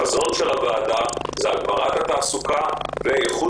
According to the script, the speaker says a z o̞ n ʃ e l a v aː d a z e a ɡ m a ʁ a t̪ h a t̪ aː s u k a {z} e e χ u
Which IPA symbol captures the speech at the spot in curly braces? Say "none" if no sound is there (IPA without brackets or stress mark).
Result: v